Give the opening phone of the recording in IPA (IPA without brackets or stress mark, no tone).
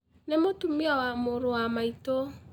n